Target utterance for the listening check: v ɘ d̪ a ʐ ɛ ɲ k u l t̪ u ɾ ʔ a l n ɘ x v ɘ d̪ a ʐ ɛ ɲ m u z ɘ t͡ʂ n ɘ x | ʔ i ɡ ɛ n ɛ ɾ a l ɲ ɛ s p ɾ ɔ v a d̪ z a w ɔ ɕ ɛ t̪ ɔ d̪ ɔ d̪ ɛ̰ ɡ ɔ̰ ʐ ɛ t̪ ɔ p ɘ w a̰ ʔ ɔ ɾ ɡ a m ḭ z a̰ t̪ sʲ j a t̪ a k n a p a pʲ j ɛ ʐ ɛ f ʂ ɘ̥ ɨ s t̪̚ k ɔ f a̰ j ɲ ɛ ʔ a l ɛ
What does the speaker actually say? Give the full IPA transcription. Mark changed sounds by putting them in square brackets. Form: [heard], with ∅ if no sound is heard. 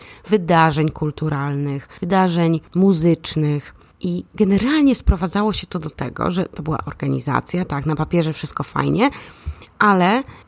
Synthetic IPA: v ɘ d̪ a ʐ ɛ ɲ k u l t̪ u ɾ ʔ a l n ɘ x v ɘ d̪ a ʐ ɛ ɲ m u z ɘ t͡ʂ n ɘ x | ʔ i ɡ ɛ n ɛ ɾ a l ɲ ɛ s p ɾ ɔ v a d̪ z a w ɔ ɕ ɛ t̪ ɔ d̪ ɔ [t̪] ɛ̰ ɡ ɔ̰ ʐ ɛ t̪ ɔ [b] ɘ w a̰ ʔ ɔ ɾ ɡ a [ɲ] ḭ z a̰ t̪ sʲ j a t̪ a k n a p a pʲ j ɛ ʐ ɛ f ʂ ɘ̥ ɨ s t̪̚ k ɔ f a̰ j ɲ ɛ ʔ a l ɛ